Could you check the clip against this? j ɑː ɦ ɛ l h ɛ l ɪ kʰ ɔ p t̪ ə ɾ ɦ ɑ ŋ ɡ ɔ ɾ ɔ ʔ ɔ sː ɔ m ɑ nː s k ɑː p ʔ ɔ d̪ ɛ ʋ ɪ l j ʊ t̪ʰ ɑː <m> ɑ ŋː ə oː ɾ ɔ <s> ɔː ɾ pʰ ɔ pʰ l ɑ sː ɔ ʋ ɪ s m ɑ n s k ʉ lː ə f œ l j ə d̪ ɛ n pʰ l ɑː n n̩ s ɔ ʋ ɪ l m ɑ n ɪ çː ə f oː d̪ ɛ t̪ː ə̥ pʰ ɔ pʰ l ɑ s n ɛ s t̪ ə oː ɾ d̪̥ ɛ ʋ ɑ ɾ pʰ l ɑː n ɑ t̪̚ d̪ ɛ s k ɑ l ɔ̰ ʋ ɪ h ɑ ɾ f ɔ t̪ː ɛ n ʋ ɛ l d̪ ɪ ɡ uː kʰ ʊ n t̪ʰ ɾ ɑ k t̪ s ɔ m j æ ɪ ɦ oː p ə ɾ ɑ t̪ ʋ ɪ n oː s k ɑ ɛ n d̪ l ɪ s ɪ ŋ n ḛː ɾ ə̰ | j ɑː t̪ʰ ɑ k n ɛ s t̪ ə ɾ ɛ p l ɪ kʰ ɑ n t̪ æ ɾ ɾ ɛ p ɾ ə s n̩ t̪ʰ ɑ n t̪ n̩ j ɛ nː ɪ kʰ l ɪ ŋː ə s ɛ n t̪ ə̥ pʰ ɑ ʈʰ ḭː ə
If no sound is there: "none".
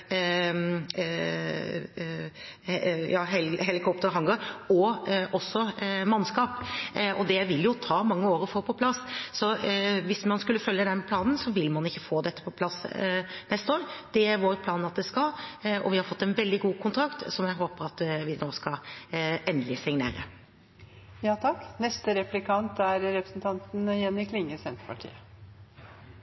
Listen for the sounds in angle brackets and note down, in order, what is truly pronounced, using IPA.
m, f

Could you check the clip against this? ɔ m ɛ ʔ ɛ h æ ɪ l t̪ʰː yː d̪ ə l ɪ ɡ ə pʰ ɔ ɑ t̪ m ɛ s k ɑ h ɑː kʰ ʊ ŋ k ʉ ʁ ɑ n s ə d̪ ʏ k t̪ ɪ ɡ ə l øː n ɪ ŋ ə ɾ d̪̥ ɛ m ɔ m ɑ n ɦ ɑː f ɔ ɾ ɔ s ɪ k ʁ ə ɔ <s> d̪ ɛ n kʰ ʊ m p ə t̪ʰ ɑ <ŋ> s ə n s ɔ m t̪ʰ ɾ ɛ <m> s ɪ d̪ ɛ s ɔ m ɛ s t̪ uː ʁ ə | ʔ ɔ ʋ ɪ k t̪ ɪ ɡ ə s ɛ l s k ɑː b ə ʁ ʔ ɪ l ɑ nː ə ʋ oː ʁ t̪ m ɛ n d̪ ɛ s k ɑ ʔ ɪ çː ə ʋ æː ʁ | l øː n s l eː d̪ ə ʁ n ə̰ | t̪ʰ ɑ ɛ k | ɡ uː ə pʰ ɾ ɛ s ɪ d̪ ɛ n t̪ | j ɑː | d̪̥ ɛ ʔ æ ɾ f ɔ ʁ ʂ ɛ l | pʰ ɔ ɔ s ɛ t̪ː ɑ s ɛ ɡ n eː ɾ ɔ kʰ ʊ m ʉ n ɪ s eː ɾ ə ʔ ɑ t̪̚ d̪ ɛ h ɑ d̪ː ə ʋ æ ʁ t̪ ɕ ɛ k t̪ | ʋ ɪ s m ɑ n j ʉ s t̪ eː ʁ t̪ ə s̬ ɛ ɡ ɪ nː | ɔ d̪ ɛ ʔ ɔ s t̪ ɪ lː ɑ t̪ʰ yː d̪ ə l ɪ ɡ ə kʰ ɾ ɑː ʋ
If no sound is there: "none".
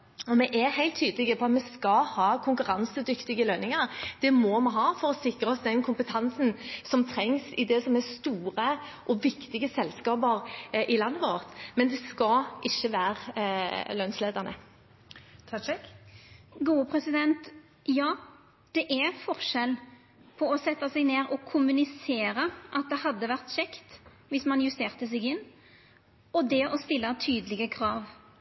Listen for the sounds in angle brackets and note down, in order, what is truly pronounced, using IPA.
s, n, ŋ

